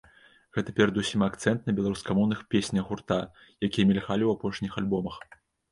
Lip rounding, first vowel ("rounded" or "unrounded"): unrounded